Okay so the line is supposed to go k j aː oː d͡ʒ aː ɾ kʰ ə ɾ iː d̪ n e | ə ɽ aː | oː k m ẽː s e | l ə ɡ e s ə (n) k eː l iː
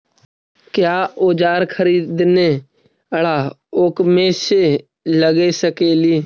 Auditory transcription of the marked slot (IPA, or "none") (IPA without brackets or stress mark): none